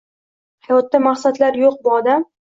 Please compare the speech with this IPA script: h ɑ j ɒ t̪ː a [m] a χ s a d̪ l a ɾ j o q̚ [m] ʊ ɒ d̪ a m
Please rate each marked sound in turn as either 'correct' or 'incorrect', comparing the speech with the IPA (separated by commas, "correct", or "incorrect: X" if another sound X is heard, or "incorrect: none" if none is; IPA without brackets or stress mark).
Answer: correct, incorrect: b